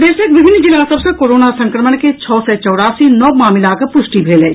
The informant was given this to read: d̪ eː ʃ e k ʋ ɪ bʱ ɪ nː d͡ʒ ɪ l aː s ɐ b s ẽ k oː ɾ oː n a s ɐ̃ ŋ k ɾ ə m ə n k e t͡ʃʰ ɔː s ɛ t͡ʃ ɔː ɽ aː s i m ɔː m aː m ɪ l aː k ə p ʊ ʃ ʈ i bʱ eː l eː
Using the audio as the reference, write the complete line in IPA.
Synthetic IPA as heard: d̪ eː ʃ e k ʋ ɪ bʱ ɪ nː d͡ʒ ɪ l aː s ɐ b s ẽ k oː ɾ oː n a s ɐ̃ ŋ k ɾ ə m ə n k e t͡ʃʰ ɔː s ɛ t͡ʃ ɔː ɽ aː s i n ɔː m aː m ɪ l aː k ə p ʊ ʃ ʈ i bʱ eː l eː